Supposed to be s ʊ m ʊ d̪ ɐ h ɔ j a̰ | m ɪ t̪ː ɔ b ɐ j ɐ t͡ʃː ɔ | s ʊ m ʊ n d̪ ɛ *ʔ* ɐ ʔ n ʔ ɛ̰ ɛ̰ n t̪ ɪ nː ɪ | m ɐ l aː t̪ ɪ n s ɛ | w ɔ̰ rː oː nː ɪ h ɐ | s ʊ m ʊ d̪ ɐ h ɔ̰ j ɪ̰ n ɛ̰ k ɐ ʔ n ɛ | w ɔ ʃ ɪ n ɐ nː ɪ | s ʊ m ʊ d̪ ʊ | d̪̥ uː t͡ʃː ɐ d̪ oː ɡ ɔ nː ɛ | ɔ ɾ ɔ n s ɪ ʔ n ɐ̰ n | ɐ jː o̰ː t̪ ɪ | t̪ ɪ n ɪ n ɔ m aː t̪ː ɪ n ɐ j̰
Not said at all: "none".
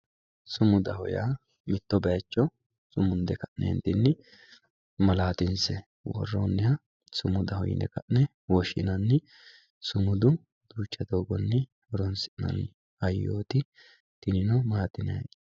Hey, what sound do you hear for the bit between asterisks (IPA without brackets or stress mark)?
k